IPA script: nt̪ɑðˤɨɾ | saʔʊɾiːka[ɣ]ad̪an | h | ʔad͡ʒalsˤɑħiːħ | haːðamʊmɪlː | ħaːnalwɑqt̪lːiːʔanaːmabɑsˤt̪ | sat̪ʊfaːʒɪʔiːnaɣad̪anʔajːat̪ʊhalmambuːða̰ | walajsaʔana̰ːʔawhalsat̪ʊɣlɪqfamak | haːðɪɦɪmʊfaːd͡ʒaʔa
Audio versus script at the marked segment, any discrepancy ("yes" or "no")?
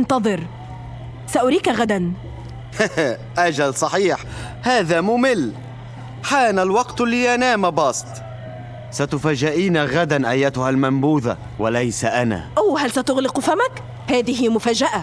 no